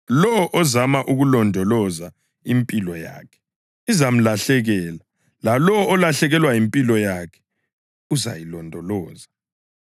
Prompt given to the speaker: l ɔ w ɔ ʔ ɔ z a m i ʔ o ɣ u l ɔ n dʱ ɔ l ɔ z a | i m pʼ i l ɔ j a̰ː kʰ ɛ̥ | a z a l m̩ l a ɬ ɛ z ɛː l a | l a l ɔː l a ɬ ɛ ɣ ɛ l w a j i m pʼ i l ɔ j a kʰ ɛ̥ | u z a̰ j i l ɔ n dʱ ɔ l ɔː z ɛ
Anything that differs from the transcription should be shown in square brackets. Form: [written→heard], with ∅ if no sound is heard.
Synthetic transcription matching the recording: l ɔ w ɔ ʔ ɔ z a m [i→a] ʔ [o→u] ɣ u l ɔ n dʱ ɔ l ɔ z a | i m pʼ i l ɔ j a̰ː kʰ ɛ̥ | [a→i] z a [l→∅] m̩ l a ɬ ɛ [z→ɣ] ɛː l a | l a l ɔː l a ɬ ɛ ɣ ɛ l w a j i m pʼ i l ɔ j a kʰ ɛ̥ | u z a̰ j i l ɔ n dʱ ɔ l ɔː z [ɛ→a]